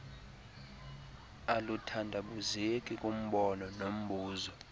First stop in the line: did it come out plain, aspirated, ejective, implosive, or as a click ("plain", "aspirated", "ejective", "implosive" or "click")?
aspirated